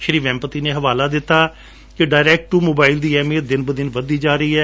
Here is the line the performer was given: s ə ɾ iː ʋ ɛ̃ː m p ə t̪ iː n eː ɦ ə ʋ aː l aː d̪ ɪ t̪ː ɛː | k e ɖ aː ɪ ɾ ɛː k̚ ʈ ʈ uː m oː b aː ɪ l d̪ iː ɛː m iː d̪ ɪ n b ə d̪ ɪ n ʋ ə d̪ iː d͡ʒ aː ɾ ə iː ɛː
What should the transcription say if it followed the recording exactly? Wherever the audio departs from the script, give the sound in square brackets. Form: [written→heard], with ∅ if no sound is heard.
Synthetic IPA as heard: [s→ʃ] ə ɾ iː ʋ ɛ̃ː m p ə t̪ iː n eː ɦ ə ʋ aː l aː d̪ ɪ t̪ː [ɛː→aː] | k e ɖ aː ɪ ɾ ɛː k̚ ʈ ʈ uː m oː b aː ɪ l d̪ iː ɛː m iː d̪ ɪ n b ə d̪ ɪ n ʋ ə d̪ iː d͡ʒ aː ɾ ə iː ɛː

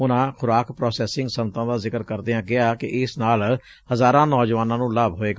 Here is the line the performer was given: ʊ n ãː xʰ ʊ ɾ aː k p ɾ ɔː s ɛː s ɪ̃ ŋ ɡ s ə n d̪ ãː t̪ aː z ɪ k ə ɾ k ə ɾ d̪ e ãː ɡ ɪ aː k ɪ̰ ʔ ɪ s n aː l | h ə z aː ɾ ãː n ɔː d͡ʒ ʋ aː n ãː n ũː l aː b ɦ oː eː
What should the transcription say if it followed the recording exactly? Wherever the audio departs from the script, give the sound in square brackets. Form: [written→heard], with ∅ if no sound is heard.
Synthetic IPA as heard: ʊ n ãː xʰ ʊ ɾ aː k p ɾ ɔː s ɛː s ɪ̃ ŋ ɡ s ə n [d̪→t̪] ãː [t̪→d̪] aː z ɪ k ə ɾ k ə ɾ d̪ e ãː ɡ ɪ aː k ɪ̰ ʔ ɪ s n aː l | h ə z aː ɾ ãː n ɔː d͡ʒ ʋ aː n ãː n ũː l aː b ɦ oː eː

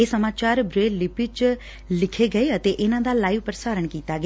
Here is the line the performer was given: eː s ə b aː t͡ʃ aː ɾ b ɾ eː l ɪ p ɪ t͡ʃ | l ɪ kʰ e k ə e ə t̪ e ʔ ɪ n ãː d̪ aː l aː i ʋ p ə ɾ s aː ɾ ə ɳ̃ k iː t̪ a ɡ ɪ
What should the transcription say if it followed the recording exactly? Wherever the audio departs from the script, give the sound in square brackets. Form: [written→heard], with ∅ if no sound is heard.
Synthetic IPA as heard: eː s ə [b→m] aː t͡ʃ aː ɾ b ɾ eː l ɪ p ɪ t͡ʃ | l ɪ kʰ e [k→ɡ] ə e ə t̪ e ʔ ɪ n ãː d̪ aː l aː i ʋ p ə ɾ s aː ɾ ə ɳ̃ k iː t̪ a ɡ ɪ

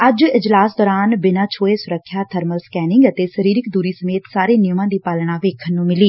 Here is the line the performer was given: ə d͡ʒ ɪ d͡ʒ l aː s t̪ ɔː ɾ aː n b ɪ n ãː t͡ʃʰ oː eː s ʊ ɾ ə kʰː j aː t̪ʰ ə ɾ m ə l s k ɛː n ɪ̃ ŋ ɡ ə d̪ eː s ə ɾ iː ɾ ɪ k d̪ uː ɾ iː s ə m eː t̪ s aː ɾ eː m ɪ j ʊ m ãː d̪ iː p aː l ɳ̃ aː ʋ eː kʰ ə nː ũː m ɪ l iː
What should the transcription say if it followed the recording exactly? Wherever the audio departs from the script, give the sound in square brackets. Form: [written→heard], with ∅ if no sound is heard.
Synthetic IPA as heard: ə d͡ʒ ɪ d͡ʒ l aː s [t̪→d̪] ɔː ɾ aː n b ɪ n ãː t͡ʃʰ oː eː s ʊ ɾ ə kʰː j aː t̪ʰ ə ɾ m ə l s k ɛː n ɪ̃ ŋ ɡ ə [d̪→t̪] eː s ə ɾ iː ɾ ɪ k d̪ uː ɾ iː s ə m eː t̪ s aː ɾ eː [m→n] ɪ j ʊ m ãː d̪ iː p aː l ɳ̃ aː ʋ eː kʰ ə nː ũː m ɪ l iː

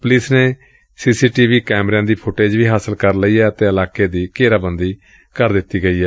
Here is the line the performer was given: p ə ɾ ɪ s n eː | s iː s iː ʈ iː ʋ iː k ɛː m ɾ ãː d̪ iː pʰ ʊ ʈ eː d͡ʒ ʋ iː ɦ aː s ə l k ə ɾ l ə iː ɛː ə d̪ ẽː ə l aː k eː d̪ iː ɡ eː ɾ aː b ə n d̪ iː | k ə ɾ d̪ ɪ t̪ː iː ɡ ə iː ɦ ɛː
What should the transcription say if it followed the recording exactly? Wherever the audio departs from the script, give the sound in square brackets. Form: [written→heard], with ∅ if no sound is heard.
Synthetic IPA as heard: p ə [ɾ→l] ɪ s n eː | s iː s iː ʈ iː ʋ iː k ɛː m ɾ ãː d̪ iː pʰ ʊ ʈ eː d͡ʒ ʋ iː ɦ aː s ə l k ə ɾ l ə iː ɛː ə [d̪→t̪] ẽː ə l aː k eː d̪ iː [ɡ→k] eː ɾ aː b ə n d̪ iː | k ə ɾ d̪ ɪ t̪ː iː ɡ ə iː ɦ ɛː

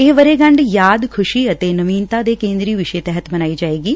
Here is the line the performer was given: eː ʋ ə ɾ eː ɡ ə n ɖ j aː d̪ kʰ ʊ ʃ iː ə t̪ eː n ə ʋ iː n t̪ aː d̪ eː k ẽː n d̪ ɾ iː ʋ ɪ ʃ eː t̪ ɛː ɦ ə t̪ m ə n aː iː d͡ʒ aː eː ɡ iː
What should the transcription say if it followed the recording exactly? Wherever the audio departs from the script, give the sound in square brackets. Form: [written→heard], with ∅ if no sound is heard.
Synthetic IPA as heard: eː ʋ ə ɾ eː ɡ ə [n→ɳ] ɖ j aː d̪ kʰ ʊ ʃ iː ə t̪ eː n ə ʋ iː n t̪ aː d̪ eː k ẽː n d̪ ɾ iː ʋ ɪ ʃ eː t̪ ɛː ɦ ə t̪ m ə n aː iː d͡ʒ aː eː ɡ iː

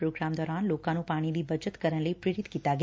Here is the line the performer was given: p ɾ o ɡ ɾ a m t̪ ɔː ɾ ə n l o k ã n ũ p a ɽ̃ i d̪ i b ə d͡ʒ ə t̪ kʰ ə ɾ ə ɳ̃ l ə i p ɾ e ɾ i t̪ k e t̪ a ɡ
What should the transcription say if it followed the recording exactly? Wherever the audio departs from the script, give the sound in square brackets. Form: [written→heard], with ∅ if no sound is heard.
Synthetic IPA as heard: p ɾ o ɡ ɾ a m [t̪→d̪] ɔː ɾ [ə→a] n l o k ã n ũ p a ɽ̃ i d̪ i b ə d͡ʒ ə t̪ [kʰ→k] ə ɾ ə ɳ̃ l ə i p ɾ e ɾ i t̪ k [e→i] t̪ a ɡ

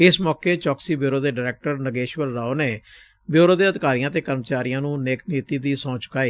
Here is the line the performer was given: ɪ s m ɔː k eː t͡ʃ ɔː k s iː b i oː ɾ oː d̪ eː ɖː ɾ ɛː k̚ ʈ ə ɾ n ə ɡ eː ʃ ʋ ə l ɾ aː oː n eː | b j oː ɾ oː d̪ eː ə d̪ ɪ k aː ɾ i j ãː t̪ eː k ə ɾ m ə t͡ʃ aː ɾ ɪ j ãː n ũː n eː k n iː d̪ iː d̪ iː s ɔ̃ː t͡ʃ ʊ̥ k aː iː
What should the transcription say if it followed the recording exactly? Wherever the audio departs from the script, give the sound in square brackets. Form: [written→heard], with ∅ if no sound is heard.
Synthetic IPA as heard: ɪ s m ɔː k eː t͡ʃ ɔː k s iː b [i→j] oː ɾ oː d̪ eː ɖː ɾ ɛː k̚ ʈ ə ɾ n ə ɡ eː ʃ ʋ ə l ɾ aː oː n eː | b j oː ɾ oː d̪ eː ə d̪ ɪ k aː ɾ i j ãː t̪ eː k ə ɾ m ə t͡ʃ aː ɾ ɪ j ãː n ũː n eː k n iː [d̪→t̪] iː d̪ iː s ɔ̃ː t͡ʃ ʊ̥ k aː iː

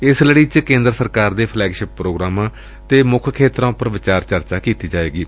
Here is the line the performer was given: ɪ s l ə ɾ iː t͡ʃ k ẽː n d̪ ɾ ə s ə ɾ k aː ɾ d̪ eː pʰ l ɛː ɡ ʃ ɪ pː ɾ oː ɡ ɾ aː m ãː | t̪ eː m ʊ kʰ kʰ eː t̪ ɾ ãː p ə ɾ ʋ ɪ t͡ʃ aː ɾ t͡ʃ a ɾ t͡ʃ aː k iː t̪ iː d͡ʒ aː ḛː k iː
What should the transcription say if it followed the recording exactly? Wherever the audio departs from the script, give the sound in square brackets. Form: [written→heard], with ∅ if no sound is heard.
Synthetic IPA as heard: ɪ s l ə [ɾ→ɽ] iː t͡ʃ k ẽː n d̪ ɾ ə s ə ɾ k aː ɾ d̪ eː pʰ l ɛː ɡ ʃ ɪ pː ɾ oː ɡ ɾ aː m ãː | t̪ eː m ʊ kʰ kʰ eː t̪ ɾ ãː p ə ɾ ʋ ɪ t͡ʃ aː ɾ t͡ʃ [a→ə] ɾ t͡ʃ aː k iː t̪ iː d͡ʒ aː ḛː [k→ɡ] iː

